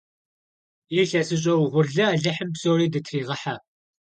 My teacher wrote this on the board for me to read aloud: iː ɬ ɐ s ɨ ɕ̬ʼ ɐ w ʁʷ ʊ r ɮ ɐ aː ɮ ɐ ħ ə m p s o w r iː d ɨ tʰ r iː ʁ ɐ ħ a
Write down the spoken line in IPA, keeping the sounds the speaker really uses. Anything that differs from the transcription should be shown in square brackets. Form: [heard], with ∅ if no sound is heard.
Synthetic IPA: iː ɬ ɐ s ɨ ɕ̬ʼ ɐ w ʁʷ ʊ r ɮ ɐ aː ɮ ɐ ħ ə m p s o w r iː d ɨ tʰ r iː ʁ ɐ ħ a